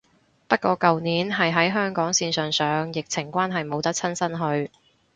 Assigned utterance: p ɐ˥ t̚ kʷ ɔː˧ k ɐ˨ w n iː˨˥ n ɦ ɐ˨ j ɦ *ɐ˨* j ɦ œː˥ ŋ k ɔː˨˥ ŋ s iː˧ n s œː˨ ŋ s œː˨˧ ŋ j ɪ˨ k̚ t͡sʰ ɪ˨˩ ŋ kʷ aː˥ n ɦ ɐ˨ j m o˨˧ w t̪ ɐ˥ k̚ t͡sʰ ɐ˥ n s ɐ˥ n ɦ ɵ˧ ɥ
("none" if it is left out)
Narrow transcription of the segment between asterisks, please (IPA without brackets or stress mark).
ɐ˨˥